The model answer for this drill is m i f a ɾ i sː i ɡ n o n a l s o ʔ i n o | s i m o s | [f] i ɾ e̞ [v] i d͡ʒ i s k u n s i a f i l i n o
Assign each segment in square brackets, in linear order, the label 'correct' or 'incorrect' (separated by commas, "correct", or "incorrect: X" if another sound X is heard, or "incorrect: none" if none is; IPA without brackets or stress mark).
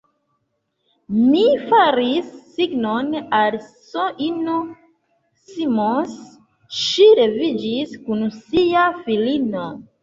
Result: incorrect: ʃ, correct